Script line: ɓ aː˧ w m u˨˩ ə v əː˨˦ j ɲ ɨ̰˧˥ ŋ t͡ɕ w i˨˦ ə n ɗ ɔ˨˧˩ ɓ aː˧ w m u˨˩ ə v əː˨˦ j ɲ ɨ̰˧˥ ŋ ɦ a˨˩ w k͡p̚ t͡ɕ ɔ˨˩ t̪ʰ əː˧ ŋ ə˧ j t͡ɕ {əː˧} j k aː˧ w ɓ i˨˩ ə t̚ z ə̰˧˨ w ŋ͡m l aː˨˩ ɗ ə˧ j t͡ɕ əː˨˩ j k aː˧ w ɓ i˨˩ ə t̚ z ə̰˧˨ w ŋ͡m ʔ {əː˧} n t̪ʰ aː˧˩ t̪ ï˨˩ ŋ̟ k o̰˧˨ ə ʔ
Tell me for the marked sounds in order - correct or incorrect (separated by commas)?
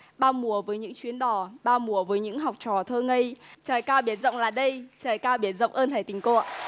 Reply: incorrect, correct